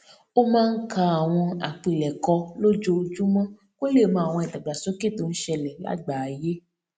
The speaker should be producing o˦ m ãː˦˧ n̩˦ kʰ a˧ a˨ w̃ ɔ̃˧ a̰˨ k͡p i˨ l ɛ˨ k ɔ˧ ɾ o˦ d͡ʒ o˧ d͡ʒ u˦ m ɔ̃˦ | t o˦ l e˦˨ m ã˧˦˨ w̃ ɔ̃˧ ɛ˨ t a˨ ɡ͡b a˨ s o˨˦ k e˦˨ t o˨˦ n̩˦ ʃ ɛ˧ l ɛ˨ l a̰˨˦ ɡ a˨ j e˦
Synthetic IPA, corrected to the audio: o˦ m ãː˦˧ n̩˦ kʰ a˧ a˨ w̃ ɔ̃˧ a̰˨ k͡p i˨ l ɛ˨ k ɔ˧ l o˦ d͡ʒ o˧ d͡ʒ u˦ m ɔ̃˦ | k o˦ l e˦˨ m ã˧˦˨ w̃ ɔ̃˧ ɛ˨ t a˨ ɡ͡b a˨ s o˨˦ k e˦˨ t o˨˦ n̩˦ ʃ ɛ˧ l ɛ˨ l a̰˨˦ ɡ͡b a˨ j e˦

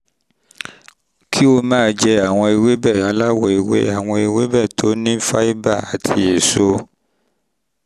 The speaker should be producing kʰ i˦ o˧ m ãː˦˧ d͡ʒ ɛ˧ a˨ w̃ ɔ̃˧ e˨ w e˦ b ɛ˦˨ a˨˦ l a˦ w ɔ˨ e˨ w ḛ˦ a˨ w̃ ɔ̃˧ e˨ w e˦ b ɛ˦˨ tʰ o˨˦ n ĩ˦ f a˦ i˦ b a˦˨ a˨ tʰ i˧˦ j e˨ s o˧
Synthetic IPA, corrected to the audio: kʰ i˦ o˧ m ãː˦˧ d͡ʒ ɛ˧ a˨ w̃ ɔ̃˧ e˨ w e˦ b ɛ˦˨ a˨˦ l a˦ w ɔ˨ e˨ w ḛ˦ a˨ w̃ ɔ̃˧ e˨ w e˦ b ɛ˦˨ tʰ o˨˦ n ĩ˦ f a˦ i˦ b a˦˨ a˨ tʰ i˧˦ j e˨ s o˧

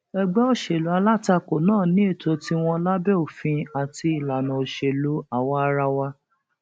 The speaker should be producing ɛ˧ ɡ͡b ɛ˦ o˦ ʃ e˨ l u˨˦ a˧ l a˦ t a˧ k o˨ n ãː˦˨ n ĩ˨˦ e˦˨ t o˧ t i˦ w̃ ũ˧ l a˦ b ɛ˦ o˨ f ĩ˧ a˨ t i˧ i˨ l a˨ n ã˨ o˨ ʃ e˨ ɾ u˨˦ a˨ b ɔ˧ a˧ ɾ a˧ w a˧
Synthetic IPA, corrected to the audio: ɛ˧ ɡ͡b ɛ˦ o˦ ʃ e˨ l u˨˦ a˧ l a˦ t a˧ k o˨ n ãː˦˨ n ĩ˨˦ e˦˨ t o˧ t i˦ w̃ ɔ̃˧ l a˦ b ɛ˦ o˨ f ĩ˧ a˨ t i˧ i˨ l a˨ n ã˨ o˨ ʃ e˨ l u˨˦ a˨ w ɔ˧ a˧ ɾ a˧ w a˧

